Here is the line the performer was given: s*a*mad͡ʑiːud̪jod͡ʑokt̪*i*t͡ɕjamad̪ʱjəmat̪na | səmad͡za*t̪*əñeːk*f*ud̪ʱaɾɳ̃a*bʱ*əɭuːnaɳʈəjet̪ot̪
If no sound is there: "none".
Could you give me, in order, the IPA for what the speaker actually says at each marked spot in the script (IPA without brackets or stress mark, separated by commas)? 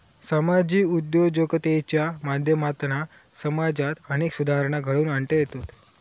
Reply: ə, e, t̪, s, ɡʱ